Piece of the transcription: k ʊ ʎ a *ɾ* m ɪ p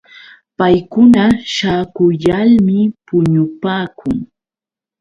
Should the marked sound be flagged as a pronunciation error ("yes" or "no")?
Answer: yes